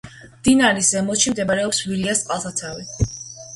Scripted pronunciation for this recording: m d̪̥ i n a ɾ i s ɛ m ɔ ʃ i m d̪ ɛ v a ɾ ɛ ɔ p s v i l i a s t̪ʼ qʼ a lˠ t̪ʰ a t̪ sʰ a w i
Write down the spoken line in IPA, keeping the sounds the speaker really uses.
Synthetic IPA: m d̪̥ i n a ɾ i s ɛ m ɔ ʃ i m d̪ ɛ b a ɾ ɛ ɔ p s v i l i a s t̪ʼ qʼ a lˠ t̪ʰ a t̪ sʰ a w i